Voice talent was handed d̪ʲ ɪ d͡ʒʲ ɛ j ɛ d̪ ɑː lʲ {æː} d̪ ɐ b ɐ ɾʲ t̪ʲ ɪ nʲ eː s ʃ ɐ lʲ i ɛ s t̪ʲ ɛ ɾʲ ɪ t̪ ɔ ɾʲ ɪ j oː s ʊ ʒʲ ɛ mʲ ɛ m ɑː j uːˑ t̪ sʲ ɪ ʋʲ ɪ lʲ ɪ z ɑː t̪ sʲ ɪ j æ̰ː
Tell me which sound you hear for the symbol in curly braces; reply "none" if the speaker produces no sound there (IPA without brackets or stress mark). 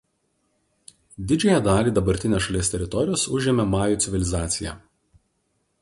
iː